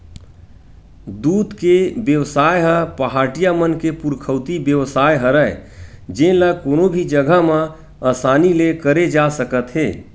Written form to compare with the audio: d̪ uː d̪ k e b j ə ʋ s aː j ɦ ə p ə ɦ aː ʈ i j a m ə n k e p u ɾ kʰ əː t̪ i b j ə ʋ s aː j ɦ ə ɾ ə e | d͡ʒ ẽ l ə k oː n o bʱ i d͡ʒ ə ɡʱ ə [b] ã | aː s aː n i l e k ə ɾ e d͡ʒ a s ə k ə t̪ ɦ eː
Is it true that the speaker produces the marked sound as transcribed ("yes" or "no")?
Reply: no